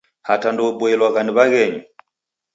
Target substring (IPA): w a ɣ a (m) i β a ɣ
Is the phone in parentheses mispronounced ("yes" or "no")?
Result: yes